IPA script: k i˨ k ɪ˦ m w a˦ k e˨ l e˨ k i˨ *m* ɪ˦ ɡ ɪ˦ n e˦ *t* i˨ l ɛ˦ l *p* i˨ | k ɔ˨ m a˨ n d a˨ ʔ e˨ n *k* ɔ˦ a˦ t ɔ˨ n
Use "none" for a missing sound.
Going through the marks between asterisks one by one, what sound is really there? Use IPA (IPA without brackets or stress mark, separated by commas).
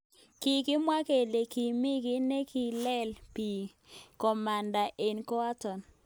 m, k, p, k